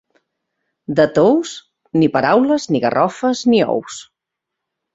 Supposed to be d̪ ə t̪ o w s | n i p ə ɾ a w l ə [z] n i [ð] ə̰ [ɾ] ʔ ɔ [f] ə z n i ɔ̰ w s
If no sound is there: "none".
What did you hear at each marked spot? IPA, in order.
z, ɣ, r, f

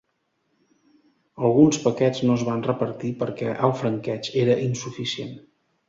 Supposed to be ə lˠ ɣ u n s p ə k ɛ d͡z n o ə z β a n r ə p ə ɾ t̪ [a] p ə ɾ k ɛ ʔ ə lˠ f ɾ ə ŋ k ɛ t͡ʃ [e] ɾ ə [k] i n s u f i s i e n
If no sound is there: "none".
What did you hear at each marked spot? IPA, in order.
i, e, ʔ

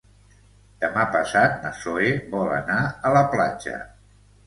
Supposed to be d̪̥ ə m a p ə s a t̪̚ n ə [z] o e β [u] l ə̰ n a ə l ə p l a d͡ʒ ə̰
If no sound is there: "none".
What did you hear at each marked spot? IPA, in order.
s, ɔ

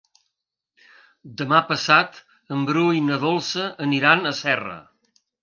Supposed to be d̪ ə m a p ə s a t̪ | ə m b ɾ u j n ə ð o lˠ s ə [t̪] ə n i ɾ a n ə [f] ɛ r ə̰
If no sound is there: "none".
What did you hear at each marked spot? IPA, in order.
none, s

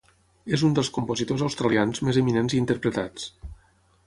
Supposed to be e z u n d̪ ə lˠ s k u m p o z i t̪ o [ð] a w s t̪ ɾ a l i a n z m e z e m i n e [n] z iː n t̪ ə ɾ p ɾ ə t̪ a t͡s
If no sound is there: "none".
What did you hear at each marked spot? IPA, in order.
z, n

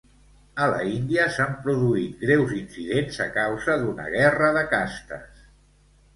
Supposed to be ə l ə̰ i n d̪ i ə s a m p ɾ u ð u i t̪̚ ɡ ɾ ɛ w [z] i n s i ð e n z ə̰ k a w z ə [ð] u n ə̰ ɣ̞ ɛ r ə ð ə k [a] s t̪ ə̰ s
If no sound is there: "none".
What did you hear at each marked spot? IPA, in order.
z, ð, a

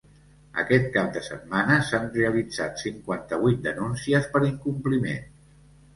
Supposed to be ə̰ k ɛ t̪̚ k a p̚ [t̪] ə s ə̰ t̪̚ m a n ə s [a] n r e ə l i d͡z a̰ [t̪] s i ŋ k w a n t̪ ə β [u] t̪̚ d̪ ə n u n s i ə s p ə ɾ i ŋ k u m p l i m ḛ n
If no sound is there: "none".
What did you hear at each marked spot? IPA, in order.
d̪, a, t̪, u

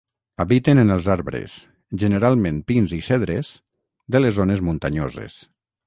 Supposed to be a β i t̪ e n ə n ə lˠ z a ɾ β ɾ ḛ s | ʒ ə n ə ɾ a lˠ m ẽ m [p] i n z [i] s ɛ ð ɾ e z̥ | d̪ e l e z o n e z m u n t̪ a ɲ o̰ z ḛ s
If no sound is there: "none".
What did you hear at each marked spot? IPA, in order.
p, i

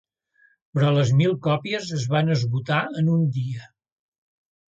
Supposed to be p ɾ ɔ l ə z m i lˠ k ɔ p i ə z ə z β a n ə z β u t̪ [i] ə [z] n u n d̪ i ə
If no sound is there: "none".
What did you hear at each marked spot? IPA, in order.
a, none

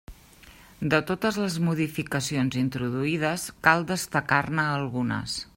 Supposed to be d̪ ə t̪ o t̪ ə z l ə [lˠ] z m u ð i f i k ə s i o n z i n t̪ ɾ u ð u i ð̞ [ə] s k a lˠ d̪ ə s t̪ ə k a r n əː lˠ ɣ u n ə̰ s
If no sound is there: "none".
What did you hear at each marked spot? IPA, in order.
none, ə

